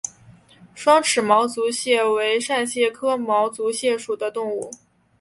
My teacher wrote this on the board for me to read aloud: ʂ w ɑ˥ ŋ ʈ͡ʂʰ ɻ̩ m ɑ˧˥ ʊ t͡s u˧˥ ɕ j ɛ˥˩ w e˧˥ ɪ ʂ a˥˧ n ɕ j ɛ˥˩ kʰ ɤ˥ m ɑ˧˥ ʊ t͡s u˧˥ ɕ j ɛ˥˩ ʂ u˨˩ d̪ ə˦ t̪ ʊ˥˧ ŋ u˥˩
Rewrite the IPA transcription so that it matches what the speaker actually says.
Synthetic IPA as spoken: ʂ w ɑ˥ ŋ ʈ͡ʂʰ ɻ̩ m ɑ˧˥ ʊ t͡s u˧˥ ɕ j ɛ˥˩ w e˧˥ ɪ ʂ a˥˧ n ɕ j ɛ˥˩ kʰ ɤ˥ m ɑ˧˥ ʊ t͡s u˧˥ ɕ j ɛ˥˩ ʂ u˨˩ d̪ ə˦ t̪ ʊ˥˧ ŋ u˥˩

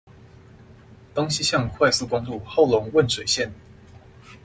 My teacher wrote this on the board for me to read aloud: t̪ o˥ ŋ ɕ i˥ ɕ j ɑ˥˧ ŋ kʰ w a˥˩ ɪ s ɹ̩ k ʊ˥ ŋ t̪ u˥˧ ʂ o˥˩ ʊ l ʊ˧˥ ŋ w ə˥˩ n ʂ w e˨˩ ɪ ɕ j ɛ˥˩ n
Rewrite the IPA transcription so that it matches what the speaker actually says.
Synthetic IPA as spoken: t̪ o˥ ŋ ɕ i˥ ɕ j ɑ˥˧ ŋ kʰ w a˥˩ ɪ s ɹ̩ k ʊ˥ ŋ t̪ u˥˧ x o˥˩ ʊ l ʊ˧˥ ŋ w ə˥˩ n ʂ w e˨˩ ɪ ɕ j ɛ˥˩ n

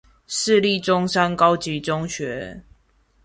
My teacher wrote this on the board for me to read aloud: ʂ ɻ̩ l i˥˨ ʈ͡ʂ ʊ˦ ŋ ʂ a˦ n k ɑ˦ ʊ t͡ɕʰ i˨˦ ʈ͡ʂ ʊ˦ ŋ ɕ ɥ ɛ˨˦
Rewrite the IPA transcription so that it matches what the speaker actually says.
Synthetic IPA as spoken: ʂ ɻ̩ l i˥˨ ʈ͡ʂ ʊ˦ ŋ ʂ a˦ n k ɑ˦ ʊ t͡ɕ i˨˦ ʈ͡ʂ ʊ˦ ŋ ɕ ɥ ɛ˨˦

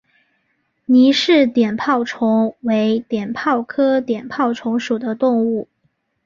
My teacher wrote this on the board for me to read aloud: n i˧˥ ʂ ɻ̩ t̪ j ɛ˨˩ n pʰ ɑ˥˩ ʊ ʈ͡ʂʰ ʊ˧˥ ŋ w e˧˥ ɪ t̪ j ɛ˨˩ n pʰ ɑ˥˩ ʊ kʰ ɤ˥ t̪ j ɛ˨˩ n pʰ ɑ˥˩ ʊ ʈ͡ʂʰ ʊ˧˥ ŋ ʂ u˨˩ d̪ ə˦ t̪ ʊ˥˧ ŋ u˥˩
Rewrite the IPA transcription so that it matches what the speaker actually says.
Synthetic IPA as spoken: n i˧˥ ʂ ɻ̩ t̪ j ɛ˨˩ n pʰ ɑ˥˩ ʊ ʈ͡ʂʰ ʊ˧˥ ŋ w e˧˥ ɪ t̪ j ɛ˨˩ n pʰ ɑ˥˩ ʊ kʰ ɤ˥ t̪ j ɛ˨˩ n pʰ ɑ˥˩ ʊ ʈ͡ʂʰ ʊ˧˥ ŋ ʂ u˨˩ d̪ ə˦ t̪ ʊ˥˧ ŋ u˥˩

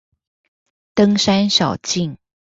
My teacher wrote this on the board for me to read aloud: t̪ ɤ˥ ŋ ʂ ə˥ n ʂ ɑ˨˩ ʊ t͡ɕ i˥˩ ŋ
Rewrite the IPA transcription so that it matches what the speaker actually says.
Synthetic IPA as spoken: t̪ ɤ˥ ŋ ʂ a˥ n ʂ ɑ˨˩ ʊ t͡ɕ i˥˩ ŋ

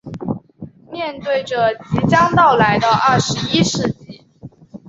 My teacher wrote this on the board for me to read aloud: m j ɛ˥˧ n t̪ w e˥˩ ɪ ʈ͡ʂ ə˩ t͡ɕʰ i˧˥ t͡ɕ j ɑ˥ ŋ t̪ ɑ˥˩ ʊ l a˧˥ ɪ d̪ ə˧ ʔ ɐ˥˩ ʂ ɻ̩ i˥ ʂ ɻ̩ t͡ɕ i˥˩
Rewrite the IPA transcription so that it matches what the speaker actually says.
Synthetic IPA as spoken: m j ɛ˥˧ n t̪ w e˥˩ ɪ ʈ͡ʂ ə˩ t͡ɕ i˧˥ t͡ɕ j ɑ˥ ŋ t̪ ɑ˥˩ ʊ l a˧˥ ɪ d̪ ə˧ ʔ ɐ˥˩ ʂ ɻ̩ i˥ ʂ ɻ̩ t͡ɕ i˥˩

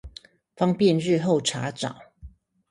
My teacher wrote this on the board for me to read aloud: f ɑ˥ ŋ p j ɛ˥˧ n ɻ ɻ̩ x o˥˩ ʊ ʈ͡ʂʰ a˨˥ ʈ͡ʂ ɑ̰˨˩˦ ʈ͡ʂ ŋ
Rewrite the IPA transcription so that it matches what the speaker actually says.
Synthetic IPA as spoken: f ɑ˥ ŋ p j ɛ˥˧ n ɻ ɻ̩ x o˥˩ ʊ ʈ͡ʂʰ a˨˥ ʈ͡ʂ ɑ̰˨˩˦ ŋ

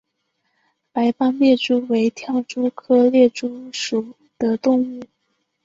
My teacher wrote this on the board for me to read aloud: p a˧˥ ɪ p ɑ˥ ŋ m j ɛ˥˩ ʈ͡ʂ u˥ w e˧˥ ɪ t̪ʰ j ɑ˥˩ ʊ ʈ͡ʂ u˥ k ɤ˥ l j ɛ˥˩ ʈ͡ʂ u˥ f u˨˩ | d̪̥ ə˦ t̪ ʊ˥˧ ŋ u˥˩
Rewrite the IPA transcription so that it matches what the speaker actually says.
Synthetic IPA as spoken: p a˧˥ ɪ p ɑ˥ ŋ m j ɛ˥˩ ʈ͡ʂ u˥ w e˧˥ ɪ t̪ʰ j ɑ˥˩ ʊ ʈ͡ʂ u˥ kʰ ɤ˥ l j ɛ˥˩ ʈ͡ʂ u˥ ʂ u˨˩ | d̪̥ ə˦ t̪ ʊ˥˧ ŋ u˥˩

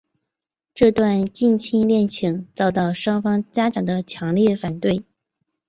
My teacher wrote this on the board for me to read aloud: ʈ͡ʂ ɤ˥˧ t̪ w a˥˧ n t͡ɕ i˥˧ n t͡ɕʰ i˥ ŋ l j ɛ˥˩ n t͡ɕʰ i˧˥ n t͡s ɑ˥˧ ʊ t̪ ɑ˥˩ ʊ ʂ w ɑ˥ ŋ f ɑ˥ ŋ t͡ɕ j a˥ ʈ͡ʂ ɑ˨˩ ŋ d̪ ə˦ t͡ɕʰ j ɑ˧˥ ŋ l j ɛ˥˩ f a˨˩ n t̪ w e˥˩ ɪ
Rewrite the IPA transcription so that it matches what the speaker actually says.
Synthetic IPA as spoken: ʈ͡ʂ ɤ˥˧ t̪ w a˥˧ n t͡ɕ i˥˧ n t͡ɕʰ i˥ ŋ l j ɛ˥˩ n t͡ɕʰ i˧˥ ŋ t͡s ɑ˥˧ ʊ t̪ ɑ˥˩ ʊ ʂ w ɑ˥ ŋ f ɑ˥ ŋ t͡ɕ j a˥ ʈ͡ʂ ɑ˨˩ ŋ d̪ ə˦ t͡ɕʰ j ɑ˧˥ ŋ l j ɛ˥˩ f a˨˩ n t̪ w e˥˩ ɪ

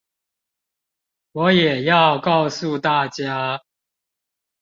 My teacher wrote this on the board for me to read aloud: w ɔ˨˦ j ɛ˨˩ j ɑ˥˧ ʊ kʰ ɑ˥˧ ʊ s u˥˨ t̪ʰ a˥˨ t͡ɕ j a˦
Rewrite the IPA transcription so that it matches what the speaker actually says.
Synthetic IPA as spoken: w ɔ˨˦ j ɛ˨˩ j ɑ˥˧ ʊ k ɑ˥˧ ʊ s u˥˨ t̪ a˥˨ t͡ɕ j a˦

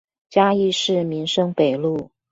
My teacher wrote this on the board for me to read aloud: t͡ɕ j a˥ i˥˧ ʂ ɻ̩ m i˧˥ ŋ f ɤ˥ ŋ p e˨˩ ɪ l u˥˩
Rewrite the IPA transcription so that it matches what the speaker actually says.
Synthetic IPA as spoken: t͡ɕ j a˥ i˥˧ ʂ ɻ̩ m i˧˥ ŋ ʂ ɤ˥ ŋ p e˨˩ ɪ l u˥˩

